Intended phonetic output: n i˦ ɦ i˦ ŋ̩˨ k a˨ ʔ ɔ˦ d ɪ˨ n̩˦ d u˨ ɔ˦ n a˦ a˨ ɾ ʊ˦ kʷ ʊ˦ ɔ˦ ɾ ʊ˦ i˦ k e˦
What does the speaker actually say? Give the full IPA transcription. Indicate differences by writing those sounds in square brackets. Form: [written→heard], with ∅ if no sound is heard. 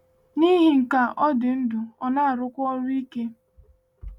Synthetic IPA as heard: n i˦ ɦ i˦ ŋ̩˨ k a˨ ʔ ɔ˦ d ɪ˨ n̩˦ d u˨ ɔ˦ n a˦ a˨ ɾ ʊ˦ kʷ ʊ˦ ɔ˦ ɾ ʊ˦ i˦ k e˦